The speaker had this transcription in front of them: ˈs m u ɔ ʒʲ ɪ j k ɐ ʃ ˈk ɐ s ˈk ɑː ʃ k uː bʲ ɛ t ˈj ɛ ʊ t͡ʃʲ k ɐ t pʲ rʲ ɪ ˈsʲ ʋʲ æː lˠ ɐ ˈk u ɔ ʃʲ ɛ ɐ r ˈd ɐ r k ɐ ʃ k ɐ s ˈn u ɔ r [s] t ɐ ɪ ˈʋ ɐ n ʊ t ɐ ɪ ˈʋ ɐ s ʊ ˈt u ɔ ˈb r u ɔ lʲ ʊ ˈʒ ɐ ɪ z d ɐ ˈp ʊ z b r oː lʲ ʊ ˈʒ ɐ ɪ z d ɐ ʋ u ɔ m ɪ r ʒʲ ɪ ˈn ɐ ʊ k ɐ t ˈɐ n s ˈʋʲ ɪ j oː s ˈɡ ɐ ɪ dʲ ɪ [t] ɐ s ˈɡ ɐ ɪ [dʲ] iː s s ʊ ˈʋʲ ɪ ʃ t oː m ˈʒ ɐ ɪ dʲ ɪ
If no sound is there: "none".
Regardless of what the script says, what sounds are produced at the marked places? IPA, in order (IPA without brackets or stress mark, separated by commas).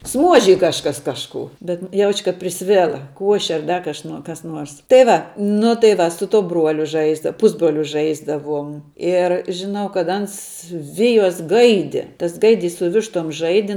s, t, dʲ